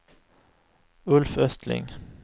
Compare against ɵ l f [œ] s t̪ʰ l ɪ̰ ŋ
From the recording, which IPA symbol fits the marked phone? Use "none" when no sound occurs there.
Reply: œ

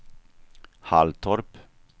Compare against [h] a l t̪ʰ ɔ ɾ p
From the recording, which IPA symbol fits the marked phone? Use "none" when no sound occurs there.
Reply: h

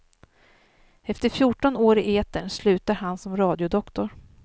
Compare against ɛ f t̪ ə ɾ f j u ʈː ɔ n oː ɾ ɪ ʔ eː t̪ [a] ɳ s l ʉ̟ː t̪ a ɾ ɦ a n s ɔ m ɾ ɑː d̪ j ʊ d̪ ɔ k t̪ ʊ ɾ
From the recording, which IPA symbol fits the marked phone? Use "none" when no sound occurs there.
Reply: ə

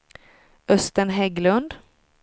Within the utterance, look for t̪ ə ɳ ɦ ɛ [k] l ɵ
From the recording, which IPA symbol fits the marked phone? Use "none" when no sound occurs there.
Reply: ɡ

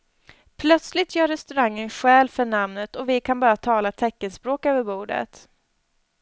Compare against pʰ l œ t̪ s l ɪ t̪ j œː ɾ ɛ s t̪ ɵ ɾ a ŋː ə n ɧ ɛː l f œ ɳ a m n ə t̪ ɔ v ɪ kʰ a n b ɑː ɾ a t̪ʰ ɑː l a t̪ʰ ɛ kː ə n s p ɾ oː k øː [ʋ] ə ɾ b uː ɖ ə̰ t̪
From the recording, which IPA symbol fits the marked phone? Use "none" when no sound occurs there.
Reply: v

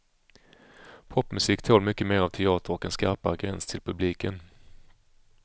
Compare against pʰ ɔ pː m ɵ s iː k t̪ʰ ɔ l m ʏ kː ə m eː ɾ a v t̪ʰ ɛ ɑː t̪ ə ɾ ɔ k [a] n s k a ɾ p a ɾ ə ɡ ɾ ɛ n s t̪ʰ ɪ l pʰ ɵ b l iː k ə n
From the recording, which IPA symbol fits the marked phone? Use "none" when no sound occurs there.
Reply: ɛ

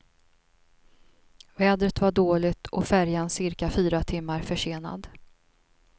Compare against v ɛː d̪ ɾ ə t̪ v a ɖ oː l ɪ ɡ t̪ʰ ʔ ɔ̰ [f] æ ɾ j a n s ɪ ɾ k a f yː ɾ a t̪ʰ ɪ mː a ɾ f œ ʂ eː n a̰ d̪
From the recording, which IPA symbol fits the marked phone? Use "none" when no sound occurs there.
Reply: f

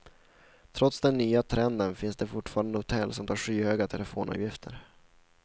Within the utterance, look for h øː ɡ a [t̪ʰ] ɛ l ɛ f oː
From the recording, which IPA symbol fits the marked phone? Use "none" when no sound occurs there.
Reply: t̪ʰ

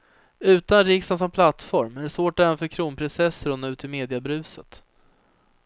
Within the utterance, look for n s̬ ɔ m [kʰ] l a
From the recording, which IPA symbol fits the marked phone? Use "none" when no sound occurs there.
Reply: pʰ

